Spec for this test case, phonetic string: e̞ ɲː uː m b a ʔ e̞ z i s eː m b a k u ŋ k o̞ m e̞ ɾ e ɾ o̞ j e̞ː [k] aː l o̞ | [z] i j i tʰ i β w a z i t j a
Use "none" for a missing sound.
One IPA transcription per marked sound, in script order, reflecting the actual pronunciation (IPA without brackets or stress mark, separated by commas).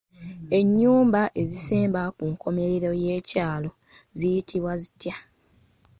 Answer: c, z